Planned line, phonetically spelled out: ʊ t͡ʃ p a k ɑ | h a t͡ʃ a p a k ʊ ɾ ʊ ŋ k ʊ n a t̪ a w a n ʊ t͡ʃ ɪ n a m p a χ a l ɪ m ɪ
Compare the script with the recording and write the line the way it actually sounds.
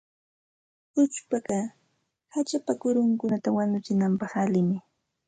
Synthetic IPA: ʊ t͡ʃ p a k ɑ | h a t͡ʃ a p a k ʊ ɾ ʊ ŋ k ʊ n a t̪ a w a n ʊ t͡ʃ ɪ n a m p ɑ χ a l ɪ m ɪ